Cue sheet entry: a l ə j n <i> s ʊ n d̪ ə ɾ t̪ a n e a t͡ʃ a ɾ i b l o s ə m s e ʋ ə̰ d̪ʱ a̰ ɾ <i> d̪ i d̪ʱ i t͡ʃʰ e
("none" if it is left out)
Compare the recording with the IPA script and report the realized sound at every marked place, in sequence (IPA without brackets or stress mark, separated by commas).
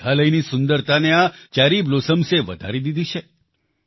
i, i